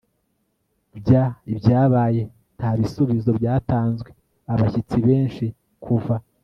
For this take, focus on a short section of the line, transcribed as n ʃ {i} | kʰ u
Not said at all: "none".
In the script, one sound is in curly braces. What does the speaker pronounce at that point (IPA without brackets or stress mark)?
i